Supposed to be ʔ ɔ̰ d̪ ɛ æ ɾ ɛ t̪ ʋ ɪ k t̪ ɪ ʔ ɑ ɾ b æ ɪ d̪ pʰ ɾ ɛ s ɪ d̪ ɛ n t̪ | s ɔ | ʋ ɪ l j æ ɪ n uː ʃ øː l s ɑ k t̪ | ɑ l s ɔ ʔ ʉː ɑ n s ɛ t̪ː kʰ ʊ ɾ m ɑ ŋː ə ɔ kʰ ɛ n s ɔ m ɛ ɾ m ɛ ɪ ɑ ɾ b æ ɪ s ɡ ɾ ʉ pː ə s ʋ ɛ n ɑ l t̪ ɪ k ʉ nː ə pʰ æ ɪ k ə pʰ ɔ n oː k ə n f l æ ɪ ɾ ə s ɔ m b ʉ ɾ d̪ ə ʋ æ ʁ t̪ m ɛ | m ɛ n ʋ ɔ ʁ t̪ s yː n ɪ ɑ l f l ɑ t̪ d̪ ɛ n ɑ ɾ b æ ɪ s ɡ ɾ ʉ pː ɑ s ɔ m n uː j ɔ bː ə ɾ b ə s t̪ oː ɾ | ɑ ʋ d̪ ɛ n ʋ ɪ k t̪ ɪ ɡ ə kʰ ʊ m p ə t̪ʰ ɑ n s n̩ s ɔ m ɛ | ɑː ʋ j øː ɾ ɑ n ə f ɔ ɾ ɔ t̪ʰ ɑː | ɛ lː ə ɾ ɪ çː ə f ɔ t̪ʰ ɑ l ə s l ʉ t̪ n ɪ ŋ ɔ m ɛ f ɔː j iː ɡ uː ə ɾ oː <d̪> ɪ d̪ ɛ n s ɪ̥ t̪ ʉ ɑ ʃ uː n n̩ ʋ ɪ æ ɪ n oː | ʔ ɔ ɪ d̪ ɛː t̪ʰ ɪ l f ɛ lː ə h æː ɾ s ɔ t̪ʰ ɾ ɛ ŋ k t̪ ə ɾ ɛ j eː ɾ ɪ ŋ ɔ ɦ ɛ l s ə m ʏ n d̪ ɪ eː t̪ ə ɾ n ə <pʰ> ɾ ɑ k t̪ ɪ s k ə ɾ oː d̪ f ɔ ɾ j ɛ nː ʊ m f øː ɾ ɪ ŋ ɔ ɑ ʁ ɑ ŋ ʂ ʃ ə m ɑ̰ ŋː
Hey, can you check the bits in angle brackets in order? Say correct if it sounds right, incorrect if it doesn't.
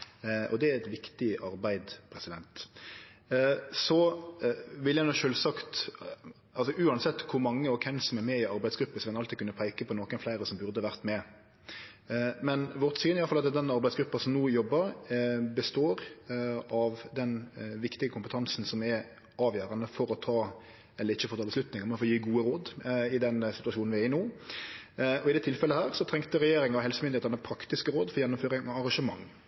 correct, correct

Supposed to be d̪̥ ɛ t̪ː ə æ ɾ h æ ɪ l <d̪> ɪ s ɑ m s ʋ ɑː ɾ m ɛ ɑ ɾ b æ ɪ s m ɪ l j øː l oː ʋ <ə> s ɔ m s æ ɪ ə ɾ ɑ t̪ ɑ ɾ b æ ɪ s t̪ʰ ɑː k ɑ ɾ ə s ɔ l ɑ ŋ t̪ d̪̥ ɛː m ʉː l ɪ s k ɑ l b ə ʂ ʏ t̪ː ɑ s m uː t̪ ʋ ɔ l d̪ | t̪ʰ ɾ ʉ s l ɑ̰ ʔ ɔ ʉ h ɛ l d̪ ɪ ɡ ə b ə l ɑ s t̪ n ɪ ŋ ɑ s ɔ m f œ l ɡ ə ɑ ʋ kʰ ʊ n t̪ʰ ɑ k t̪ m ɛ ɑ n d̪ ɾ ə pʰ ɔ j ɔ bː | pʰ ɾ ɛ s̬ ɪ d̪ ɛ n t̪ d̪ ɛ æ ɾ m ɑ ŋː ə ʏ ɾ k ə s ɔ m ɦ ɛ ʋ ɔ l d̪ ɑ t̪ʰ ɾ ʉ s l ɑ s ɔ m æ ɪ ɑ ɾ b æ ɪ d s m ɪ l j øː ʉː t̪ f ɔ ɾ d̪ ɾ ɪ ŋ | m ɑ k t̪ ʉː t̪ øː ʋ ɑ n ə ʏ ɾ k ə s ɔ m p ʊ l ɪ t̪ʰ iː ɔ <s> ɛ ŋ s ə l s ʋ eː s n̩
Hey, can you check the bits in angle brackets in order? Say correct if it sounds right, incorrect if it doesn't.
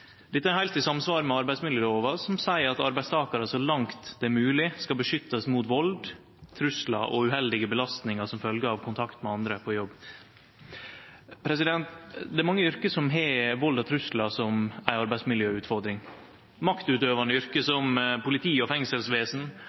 incorrect: t̪, incorrect: ɑ, incorrect: f

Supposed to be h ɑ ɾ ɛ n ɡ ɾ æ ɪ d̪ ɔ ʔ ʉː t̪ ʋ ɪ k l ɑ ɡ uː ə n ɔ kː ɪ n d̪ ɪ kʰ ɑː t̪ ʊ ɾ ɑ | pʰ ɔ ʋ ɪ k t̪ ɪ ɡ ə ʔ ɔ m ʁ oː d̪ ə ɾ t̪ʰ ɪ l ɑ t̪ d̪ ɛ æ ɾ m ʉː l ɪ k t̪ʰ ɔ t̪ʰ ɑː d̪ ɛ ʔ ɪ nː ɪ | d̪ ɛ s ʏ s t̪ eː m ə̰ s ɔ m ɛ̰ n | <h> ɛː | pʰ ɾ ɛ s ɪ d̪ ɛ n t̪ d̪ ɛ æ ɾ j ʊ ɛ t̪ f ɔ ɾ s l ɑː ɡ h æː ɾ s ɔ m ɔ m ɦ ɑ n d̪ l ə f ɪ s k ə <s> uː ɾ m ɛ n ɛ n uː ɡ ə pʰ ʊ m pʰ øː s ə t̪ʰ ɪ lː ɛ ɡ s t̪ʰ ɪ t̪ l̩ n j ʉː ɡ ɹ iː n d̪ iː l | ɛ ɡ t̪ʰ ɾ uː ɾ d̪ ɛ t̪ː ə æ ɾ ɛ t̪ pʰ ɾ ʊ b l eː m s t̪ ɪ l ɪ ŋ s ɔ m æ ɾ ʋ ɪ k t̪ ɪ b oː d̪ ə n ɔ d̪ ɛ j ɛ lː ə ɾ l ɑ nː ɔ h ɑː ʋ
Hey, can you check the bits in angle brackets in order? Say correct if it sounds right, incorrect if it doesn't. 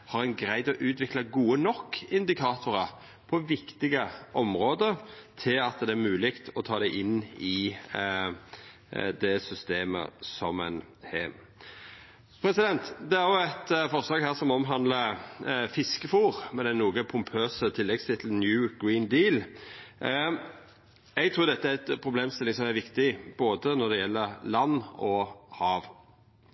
correct, incorrect: f

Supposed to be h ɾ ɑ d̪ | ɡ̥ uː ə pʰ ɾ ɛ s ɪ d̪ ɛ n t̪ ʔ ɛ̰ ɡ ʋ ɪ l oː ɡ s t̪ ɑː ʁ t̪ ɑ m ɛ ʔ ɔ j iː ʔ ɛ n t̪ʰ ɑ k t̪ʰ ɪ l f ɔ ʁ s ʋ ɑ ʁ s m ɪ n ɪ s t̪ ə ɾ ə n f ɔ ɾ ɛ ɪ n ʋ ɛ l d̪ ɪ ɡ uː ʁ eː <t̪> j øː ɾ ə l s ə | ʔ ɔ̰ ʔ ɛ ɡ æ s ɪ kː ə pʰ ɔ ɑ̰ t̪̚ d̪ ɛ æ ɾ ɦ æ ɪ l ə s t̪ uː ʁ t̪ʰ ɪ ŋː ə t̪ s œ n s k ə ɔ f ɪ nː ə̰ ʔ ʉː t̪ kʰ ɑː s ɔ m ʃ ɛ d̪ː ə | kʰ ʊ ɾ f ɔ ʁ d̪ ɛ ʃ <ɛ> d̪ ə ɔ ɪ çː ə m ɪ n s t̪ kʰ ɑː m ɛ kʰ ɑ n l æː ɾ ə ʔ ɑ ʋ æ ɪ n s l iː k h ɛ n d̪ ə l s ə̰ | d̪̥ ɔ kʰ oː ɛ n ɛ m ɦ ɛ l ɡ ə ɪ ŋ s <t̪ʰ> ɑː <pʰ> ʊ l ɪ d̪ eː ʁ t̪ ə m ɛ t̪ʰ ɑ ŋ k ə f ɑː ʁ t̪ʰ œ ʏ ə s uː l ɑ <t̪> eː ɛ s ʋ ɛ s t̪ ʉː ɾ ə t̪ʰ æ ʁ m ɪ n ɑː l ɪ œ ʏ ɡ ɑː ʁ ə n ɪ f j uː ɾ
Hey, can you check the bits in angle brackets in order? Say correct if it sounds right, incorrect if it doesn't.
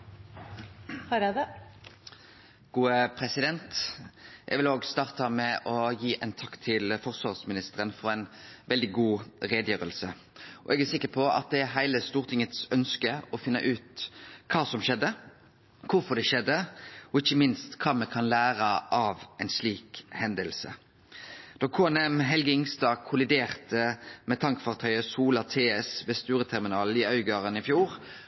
incorrect: d̪, correct, incorrect: t̪, incorrect: kʰ, incorrect: t̪ʰ

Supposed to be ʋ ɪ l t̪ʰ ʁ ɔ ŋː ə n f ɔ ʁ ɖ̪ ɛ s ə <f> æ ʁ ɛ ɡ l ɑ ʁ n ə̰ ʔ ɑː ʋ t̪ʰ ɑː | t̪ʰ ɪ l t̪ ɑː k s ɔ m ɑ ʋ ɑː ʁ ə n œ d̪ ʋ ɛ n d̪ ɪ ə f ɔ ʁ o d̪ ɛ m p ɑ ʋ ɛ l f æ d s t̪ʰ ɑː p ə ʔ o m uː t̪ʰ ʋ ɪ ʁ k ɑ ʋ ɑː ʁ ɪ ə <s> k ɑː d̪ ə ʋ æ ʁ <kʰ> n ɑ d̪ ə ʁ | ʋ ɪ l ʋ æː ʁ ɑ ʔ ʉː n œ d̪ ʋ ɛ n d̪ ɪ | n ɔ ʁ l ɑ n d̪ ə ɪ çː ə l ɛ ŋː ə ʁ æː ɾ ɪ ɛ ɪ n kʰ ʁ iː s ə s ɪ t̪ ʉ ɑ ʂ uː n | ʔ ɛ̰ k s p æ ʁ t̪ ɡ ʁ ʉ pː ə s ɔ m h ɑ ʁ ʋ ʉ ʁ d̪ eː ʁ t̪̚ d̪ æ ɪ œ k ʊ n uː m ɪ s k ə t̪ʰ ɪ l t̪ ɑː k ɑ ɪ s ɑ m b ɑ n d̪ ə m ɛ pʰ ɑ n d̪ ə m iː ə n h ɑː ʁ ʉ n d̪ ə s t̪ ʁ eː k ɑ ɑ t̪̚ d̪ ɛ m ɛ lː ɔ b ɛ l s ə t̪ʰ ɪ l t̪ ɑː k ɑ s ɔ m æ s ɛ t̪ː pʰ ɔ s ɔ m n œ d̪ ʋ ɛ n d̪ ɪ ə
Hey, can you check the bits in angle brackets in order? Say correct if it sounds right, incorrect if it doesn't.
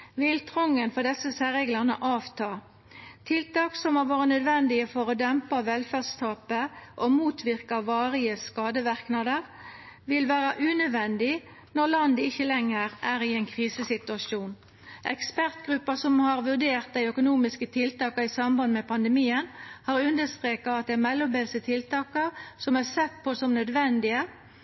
incorrect: s, correct, incorrect: k

